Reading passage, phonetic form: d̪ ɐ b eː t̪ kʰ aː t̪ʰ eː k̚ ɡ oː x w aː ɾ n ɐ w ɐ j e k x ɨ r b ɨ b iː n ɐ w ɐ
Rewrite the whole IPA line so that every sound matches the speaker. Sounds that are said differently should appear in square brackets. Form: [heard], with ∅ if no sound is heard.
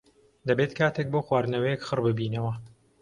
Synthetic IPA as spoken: d̪ ɐ b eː t̪ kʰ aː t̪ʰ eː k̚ [b] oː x w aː ɾ n ɐ w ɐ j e k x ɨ r b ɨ b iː n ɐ w ɐ